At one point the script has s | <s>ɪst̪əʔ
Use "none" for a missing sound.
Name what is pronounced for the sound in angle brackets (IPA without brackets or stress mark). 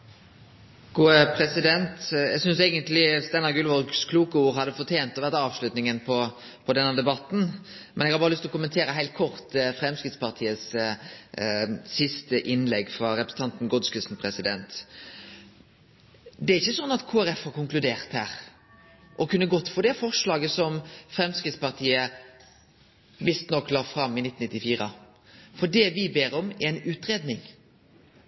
s